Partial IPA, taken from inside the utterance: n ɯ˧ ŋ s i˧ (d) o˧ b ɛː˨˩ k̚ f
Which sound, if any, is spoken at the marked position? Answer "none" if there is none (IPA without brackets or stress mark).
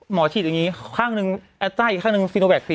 n